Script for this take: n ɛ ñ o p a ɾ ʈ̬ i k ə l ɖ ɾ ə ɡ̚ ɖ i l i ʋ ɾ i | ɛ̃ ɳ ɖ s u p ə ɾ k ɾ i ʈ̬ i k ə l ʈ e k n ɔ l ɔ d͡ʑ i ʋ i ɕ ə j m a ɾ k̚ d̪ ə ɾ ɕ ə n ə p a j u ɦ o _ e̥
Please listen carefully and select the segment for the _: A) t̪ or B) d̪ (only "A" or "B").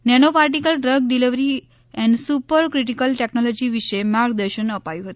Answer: A